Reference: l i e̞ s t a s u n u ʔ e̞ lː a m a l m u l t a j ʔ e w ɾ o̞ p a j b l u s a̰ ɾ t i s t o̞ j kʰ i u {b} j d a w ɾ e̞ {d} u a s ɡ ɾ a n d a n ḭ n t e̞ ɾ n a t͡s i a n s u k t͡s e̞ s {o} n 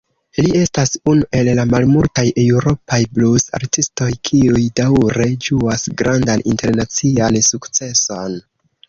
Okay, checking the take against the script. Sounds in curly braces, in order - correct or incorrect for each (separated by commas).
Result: incorrect, incorrect, correct